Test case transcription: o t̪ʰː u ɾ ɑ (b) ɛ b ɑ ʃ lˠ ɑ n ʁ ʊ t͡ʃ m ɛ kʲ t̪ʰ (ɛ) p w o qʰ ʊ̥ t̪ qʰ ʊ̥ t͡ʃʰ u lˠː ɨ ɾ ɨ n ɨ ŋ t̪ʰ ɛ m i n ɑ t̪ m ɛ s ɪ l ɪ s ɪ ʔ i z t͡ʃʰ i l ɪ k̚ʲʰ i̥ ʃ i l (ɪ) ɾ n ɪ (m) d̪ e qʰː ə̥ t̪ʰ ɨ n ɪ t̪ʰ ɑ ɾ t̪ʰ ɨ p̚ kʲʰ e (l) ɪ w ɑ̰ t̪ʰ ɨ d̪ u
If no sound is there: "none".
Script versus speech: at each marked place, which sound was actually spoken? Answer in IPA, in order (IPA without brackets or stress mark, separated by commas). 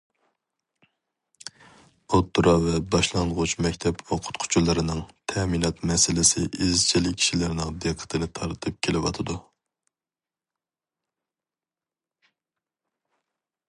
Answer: v, ɛ, ɪ, ŋ, l